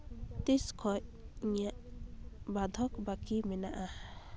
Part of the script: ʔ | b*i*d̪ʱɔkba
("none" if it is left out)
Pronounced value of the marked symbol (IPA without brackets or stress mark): a